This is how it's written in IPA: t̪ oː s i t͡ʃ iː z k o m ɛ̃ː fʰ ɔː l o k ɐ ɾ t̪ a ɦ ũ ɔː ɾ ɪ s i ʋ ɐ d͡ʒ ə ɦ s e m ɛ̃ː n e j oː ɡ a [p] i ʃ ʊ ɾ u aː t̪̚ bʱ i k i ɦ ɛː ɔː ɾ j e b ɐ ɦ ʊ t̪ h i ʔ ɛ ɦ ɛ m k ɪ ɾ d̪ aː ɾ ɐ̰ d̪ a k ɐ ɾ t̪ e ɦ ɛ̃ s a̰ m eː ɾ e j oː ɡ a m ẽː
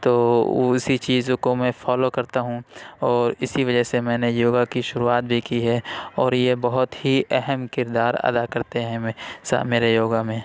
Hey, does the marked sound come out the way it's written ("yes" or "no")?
no